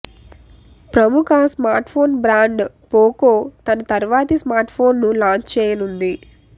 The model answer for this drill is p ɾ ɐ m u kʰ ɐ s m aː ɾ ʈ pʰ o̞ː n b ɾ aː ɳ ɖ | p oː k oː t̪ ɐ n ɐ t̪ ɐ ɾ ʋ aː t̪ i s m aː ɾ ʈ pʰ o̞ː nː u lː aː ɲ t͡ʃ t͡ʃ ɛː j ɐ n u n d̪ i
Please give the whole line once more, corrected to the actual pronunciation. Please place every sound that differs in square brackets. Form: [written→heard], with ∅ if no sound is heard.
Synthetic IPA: p ɾ ɐ m u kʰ ɐ s m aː ɾ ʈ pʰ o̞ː n b ɾ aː ɳ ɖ | p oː k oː t̪ ɐ n ɐ t̪ ɐ ɾ ʋ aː t̪ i s m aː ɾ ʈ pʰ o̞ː nː u [lː→l] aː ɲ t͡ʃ t͡ʃ ɛː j ɐ n u n d̪ i